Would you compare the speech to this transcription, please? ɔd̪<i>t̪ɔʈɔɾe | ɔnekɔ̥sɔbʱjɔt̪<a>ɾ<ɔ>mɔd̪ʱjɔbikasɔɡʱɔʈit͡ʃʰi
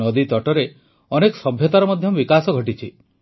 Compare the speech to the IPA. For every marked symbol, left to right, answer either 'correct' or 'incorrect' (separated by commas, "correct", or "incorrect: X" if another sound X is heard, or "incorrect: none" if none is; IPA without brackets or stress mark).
correct, correct, correct